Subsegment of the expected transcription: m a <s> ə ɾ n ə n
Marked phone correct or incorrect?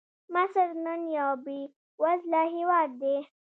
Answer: correct